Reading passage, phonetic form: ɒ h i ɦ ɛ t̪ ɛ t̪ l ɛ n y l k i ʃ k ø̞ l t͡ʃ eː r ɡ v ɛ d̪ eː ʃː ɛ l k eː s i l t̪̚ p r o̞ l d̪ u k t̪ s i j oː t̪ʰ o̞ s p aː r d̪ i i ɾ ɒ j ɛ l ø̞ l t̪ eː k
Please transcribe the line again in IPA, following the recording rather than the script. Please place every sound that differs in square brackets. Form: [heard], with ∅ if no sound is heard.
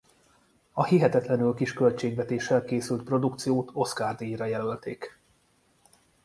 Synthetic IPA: ɒ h i ɦ ɛ t̪ ɛ t̪ l ɛ n y l k i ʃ k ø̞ l t͡ʃ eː [∅] ɡ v ɛ [t̪] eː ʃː ɛ l k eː s [y] l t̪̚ p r o̞ [∅] d̪ u k t̪ s i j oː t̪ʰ o̞ s [k] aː r d̪ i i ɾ ɒ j ɛ l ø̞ l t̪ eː k